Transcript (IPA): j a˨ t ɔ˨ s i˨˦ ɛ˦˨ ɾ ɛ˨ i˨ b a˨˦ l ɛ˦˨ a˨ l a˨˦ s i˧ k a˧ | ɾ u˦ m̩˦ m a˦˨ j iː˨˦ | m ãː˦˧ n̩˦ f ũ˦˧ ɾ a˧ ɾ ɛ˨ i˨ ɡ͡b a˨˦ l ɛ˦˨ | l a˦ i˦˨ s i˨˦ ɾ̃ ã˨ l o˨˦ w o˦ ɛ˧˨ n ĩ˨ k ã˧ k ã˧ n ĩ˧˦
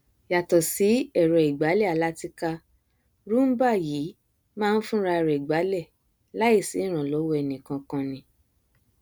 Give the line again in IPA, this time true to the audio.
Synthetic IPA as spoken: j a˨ t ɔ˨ s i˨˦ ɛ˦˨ ɾ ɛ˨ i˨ ɡ͡b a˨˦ l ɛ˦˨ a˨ l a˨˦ t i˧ k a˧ | ɾ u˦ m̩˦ b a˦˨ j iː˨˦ | m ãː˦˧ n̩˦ f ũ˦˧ ɾ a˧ ɾ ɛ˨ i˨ ɡ͡b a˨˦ l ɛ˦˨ | l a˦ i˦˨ s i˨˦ ɾ̃ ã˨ l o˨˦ w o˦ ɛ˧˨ n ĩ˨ k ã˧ k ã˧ n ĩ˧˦